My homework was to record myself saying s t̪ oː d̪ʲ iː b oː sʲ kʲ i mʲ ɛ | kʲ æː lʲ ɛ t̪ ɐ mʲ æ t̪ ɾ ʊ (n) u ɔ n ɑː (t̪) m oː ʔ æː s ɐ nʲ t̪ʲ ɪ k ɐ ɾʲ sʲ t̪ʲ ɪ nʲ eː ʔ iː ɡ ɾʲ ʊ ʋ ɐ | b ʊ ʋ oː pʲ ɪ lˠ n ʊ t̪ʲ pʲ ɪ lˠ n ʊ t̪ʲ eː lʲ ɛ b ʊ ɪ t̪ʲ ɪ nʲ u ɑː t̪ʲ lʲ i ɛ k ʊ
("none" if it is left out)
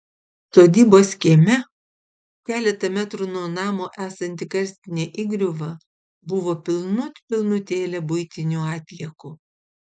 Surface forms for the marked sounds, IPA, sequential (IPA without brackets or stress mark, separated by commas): n, none